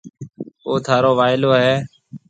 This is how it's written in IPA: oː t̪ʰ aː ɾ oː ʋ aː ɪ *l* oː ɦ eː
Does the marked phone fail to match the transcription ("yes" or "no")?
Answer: no